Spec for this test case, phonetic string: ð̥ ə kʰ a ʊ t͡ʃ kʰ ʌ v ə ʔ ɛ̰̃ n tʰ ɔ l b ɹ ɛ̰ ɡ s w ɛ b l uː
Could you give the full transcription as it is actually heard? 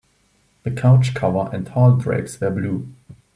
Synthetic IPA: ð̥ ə kʰ a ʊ t͡ʃ kʰ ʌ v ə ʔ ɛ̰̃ n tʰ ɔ l d ɹ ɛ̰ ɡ s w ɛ b l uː